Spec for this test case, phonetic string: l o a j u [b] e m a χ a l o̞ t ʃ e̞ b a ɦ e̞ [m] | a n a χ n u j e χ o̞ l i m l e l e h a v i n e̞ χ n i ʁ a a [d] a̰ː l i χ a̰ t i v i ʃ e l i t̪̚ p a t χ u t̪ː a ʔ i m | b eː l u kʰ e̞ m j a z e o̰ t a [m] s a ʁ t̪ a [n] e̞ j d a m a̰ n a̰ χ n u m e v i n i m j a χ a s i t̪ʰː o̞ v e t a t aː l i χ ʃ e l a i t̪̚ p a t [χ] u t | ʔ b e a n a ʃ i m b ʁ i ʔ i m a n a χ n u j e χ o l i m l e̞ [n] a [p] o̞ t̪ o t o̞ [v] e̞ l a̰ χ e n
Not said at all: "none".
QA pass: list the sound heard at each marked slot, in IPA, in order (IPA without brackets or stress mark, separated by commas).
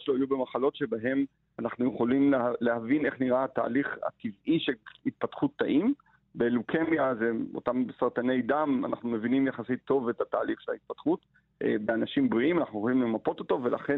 b, m, t, m, n, χ, m, p, v